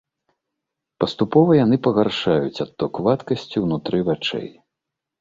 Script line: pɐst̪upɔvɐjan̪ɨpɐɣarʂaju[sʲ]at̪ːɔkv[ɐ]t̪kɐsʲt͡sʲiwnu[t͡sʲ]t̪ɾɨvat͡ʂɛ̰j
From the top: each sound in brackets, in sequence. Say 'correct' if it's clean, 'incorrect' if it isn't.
incorrect: t͡sʲ, incorrect: a, incorrect: none

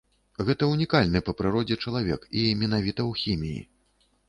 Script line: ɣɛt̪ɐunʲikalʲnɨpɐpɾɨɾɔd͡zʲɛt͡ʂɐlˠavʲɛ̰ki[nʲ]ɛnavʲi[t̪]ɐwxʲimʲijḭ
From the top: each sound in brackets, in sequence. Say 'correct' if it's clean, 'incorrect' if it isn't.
incorrect: mʲ, correct

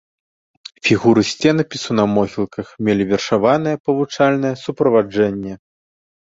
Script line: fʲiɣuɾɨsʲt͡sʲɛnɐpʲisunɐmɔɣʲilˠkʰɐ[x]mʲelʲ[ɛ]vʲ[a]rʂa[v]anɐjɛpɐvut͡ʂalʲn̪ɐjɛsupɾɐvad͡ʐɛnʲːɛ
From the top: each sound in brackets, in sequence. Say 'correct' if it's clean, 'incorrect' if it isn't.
correct, incorrect: i, incorrect: ɛ, correct

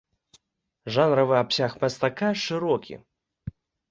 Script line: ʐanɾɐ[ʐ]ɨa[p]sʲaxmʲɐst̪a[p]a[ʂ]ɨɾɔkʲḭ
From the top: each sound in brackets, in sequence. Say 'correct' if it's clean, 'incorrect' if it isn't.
incorrect: v, correct, incorrect: k, correct

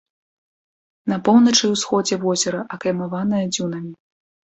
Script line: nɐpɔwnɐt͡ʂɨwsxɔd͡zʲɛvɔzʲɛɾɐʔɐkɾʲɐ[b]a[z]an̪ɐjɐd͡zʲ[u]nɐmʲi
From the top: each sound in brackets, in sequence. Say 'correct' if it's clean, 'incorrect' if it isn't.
incorrect: m, incorrect: v, correct

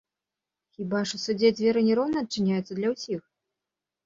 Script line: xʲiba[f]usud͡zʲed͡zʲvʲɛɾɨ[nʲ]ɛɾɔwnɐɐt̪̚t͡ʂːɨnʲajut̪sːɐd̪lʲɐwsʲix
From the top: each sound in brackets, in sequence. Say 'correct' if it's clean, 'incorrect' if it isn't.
incorrect: ʂ, correct

